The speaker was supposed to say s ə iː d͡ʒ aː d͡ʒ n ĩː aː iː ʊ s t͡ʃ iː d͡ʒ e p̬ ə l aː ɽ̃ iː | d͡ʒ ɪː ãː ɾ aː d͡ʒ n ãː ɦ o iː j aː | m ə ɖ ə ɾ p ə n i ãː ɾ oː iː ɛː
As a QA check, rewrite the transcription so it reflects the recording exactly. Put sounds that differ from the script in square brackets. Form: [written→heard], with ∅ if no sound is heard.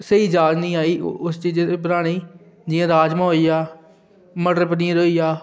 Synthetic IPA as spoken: s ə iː d͡ʒ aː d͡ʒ n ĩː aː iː ʊ s t͡ʃ iː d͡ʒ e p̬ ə [l→ɾ] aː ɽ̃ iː | d͡ʒ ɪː ãː ɾ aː d͡ʒ [n→m] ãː ɦ o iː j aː | m ə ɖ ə ɾ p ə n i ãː ɾ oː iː [ɛː→aː]